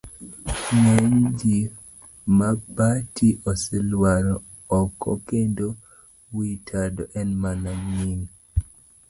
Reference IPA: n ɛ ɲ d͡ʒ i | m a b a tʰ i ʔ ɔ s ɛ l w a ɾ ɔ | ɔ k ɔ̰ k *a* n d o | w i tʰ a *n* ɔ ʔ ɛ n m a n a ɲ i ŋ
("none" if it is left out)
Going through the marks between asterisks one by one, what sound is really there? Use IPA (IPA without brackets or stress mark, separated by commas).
e, d